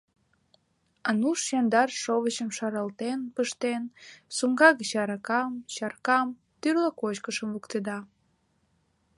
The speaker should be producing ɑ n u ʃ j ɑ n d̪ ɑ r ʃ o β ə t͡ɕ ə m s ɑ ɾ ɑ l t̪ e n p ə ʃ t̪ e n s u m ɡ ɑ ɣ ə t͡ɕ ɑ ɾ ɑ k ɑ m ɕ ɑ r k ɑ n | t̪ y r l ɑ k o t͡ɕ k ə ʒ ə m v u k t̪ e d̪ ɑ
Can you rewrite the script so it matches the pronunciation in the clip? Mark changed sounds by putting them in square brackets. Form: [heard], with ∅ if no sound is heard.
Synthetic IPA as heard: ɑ n u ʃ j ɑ n d̪ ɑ r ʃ o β ə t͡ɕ ə m [ʃ] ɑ ɾ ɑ l t̪ e n p ə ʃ t̪ e n s u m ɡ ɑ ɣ ə t͡ɕ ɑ ɾ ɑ k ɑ m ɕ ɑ r k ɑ [m] | t̪ y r l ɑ k o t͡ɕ k ə [ʃ] ə m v u k t̪ e d̪ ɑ